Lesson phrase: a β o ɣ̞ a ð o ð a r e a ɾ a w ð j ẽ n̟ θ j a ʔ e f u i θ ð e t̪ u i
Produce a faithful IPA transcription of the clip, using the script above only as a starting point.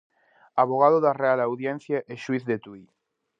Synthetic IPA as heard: a β o ɣ̞ a ð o ð a r e a l a w ð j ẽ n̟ θ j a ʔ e ʃ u i θ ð e t̪ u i